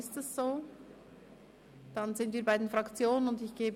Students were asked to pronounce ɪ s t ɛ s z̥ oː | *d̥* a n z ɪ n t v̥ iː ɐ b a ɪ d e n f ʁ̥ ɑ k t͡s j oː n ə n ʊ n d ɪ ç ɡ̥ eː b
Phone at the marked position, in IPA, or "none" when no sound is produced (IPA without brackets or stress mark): d̥